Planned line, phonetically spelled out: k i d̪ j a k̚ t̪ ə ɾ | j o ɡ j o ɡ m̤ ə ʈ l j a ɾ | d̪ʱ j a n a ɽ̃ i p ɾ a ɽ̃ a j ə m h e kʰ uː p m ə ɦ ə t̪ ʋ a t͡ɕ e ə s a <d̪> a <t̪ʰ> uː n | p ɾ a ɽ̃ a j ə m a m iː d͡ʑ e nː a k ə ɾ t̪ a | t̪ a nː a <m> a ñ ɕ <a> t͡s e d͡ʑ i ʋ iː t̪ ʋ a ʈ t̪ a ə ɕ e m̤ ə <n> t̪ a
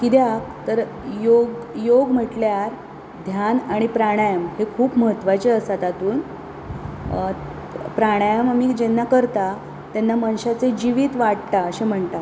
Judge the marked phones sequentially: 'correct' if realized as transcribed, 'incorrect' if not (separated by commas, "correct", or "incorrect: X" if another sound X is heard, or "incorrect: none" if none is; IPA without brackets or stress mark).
incorrect: t̪, incorrect: t̪, correct, correct, incorrect: ɳ